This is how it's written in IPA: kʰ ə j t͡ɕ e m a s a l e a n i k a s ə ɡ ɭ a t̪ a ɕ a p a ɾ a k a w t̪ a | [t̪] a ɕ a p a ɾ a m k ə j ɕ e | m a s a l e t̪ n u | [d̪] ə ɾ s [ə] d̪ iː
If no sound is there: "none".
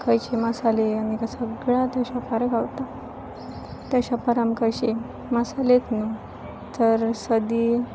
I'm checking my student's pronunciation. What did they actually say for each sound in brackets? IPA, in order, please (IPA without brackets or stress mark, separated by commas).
t̪, t̪, ə